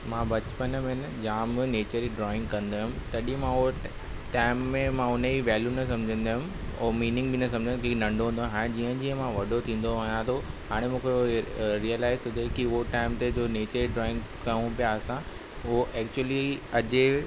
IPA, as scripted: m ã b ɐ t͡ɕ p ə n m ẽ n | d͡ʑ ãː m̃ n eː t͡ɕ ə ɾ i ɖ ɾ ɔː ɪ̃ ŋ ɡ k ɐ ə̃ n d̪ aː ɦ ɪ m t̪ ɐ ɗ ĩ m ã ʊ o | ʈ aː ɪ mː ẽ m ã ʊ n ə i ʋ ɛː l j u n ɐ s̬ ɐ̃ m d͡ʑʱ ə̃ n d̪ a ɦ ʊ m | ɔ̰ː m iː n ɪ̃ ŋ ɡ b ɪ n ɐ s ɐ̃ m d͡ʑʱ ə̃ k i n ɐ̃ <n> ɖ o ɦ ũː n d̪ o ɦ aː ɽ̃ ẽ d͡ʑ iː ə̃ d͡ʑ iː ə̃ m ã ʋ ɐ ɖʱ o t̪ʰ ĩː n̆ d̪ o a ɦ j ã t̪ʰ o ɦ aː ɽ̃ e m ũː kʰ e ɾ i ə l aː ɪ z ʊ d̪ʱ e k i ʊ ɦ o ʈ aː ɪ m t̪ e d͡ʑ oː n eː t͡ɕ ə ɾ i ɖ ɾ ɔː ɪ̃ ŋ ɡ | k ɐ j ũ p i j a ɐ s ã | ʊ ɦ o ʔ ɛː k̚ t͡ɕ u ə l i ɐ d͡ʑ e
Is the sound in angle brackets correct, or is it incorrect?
incorrect